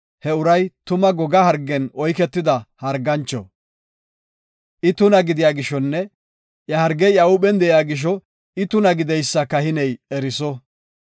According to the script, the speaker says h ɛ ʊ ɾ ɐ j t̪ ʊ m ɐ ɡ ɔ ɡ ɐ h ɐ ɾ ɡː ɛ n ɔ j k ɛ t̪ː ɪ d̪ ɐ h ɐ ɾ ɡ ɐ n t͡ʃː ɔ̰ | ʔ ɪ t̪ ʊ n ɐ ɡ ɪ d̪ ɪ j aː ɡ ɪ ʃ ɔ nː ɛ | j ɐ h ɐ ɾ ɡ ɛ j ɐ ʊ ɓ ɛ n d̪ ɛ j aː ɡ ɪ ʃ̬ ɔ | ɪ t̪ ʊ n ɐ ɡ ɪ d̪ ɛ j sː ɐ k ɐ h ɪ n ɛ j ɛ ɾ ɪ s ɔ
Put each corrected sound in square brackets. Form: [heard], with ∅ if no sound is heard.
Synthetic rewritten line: h ɛ ʊ ɾ ɐ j t̪ ʊ m ɐ ɡ ɔ ɡ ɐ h ɐ ɾ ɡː ɛ n ɔ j k ɛ t̪ː ɪ d̪ ɐ h ɐ ɾ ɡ ɐ n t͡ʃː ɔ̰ | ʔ ɪ t̪ ʊ n ɐ ɡ ɪ d̪ ɪ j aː ɡ ɪ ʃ ɔ nː ɛ | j ɐ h ɐ ɾ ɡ ɛ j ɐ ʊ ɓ ɛ n d̪ ɛ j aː ɡ ɪ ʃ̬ ɔ | ɪ t̪ ʊ n ɐ ɡ ɪ d̪ ɛ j sː ɐ k ɐ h ɪ n ɛ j ɛ ɾ ɪ s ɔ